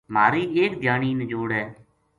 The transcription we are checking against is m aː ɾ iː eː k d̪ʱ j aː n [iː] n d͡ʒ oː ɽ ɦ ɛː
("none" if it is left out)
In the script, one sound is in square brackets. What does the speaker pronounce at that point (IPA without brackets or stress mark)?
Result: iː